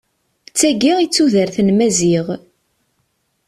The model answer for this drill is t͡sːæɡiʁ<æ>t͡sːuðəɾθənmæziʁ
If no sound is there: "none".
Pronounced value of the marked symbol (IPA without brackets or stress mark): i